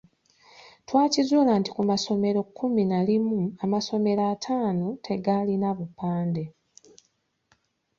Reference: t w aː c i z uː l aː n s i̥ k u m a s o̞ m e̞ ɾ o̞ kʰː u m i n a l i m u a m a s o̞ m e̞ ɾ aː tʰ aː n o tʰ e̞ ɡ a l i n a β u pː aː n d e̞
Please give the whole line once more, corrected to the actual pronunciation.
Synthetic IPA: t w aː c i z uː l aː n t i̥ k u m a s o̞ m e̞ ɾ o̞ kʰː u m i n a l i m u a m a s o̞ m e̞ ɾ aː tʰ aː n o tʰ e̞ ɡ a l i n a β u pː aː n d e̞